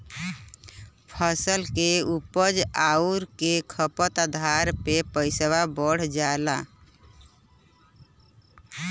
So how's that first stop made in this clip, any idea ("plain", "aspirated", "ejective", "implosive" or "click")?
aspirated